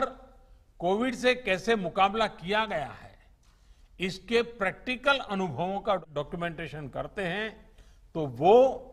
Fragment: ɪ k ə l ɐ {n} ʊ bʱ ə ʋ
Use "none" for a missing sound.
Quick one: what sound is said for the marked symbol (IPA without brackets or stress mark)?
n